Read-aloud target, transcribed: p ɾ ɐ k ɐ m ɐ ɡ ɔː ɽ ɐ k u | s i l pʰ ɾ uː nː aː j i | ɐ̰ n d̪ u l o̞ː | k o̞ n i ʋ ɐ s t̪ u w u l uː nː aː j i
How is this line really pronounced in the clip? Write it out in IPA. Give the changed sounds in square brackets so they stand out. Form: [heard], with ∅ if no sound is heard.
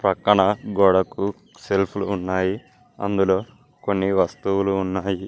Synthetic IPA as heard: p ɾ ɐ k ɐ [ɳ] ɐ ɡ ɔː ɽ ɐ k u | s [e] l pʰ [l] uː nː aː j i | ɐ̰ n d̪ u l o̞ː | k o̞ [nː] i ʋ ɐ s t̪ u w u l uː nː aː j i